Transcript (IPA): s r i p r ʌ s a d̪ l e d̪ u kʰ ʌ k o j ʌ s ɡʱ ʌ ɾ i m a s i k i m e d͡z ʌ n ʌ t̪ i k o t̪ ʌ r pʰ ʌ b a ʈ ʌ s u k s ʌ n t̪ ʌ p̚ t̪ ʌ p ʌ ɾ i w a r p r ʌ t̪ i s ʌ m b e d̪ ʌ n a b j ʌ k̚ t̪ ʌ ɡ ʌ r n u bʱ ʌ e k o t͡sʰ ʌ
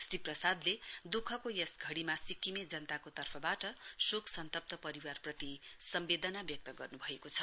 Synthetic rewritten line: s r i p r ʌ s a d̪ l e d̪ u kʰ ʌ k o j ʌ s ɡʱ ʌ ɽ i m a s i k i m e d͡z ʌ n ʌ t̪ a k o t̪ ʌ r pʰ ʌ b a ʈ ʌ s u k s ʌ n t̪ ʌ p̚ t̪ ʌ p ʌ ɾ i w a r p r ʌ t̪ i s ʌ m b e d̪ ʌ n a b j ʌ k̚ t̪ ʌ ɡ ʌ r n u bʱ ʌ e k o t͡sʰ ʌ